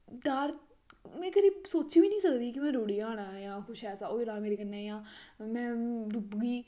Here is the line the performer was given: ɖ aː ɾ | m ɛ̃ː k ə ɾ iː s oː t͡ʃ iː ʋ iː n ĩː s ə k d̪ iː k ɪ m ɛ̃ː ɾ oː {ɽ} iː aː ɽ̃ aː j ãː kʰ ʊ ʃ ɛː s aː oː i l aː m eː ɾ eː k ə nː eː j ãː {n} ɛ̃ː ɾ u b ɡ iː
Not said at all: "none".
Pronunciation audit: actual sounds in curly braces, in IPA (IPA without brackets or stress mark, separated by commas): ɽ, m